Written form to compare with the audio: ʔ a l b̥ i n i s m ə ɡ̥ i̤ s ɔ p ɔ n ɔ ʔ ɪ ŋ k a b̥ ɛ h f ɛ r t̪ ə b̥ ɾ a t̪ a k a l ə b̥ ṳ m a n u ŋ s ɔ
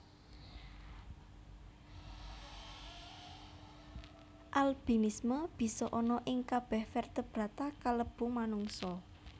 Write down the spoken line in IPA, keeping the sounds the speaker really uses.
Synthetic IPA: ʔ a l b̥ i n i s m ə b̥ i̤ s ɔ ʔ ɔ n ɔ ʔ ɪ ŋ k a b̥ ɛ h f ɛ r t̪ ə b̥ ɾ a t̪ a k a l ə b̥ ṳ m a n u ŋ s ɔ